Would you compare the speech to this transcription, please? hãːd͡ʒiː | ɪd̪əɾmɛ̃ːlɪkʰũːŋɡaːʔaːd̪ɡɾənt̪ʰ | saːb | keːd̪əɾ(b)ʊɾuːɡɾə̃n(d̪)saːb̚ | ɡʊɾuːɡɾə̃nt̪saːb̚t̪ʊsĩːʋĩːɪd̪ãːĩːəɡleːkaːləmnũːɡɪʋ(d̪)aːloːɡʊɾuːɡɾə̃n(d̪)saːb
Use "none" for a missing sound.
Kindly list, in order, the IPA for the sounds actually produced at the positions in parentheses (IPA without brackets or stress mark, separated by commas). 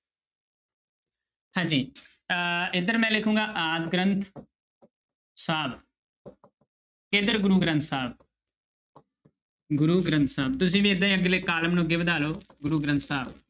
ɡ, t̪, d̪, t̪